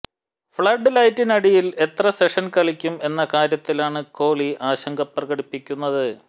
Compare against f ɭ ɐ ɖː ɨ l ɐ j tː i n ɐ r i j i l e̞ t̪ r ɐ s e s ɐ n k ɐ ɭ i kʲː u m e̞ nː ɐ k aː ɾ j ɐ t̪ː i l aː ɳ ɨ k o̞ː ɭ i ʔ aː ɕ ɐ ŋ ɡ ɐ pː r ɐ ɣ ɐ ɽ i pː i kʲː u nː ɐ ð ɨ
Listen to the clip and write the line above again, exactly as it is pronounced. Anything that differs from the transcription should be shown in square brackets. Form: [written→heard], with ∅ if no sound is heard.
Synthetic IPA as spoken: f ɭ ɐ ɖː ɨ l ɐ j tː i n ɐ [r→ɽ] i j i l e̞ t̪ r ɐ s e [s→ʂ] ɐ n k ɐ ɭ i kʲː u m e̞ nː ɐ k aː ɾ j ɐ t̪ː i l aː ɳ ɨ k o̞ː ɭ i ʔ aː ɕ ɐ ŋ ɡ ɐ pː r ɐ ɣ ɐ ɽ i pː i kʲː u nː ɐ ð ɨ